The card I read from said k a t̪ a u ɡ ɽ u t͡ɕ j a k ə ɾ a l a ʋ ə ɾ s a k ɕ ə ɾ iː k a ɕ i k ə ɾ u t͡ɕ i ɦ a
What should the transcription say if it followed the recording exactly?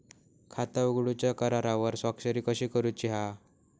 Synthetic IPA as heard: kʰ a t̪ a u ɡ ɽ u t͡ɕ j a k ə ɾ a ɾ a ʋ ə ɾ s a k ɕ ə ɾ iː k ə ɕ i k ə ɾ u t͡ɕ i ɦ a

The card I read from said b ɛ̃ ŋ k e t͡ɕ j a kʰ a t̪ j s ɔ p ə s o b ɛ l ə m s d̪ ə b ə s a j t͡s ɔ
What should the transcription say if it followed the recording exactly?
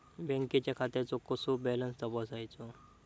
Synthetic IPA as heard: b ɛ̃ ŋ k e t͡ɕ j a kʰ a t̪ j t͡s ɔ k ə s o b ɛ l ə n s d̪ ə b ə s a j t͡s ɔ

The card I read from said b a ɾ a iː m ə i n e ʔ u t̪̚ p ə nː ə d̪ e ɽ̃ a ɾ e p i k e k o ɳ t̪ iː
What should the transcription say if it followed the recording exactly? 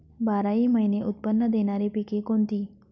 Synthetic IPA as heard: b a ɾ a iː m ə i n e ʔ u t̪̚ p ə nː ə d̪ e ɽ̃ a ɾ e p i k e k o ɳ t̪ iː

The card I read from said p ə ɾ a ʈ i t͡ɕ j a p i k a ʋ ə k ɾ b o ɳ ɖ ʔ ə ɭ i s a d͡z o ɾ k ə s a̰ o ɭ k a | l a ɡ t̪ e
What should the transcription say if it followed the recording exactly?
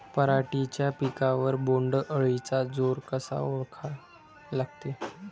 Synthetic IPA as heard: p ə ɾ a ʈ i t͡ɕ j a p i k a ʋ ə ɾ b o ɳ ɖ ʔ ə ɭ i t͡s a d͡z o ɾ k ə s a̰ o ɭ kʰ a | l a ɡ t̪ e

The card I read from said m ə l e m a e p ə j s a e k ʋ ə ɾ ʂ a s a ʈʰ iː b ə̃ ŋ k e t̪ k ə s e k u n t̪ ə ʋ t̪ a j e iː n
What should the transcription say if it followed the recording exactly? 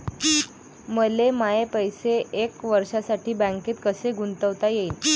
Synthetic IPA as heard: m ə l e m a e p ə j s e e k ʋ ə ɾ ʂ a s a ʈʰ iː b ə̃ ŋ k e t̪ k ə s e ɡ u n t̪ ə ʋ t̪ a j e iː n

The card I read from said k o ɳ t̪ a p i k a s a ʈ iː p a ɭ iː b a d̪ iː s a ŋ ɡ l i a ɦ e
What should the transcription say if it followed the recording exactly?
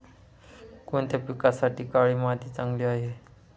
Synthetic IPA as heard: k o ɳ t̪ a p i k a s a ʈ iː k a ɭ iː m a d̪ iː t͡s a ŋ ɡ l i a ɦ e

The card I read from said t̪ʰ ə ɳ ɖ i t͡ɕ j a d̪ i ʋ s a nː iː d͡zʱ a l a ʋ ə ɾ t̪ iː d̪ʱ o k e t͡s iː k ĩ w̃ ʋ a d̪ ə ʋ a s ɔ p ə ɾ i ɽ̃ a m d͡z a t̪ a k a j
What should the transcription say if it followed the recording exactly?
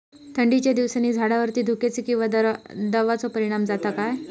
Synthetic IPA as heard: t̪ʰ ə ɳ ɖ i t͡ɕ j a d̪ i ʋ s a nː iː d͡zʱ a ɽ a ʋ ə ɾ t̪ iː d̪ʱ u k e t͡s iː k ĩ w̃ ʋ a d̪ ə ʋ a t͡s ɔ p ə ɾ i ɽ̃ a m d͡z a t̪ a k a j

